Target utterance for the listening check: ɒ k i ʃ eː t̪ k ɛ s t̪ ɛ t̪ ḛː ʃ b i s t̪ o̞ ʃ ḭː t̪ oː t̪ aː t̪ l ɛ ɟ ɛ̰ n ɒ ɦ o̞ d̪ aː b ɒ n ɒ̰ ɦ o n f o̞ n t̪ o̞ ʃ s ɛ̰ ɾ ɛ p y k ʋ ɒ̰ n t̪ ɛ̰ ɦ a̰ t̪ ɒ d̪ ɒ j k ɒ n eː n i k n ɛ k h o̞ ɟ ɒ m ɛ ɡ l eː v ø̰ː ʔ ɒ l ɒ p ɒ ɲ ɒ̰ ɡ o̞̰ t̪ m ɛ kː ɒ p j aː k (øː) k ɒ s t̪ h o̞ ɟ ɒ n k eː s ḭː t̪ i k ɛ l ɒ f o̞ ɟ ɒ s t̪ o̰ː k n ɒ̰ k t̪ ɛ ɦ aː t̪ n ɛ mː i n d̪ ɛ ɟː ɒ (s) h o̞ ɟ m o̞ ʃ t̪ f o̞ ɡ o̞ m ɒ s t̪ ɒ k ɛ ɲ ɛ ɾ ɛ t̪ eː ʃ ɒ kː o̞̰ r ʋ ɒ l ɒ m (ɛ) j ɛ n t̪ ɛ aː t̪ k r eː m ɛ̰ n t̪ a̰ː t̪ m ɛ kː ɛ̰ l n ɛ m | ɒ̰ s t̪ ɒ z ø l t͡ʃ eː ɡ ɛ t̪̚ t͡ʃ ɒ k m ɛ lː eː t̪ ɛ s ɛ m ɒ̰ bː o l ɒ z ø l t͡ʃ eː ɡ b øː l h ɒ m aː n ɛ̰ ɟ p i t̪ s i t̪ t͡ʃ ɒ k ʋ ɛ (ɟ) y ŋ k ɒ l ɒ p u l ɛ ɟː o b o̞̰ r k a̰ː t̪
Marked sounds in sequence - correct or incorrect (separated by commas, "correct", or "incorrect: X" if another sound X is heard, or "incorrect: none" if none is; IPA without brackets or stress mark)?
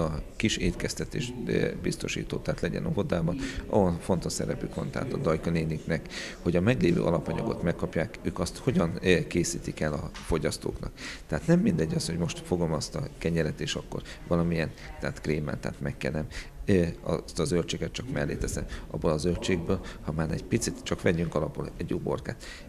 correct, correct, incorrect: i, correct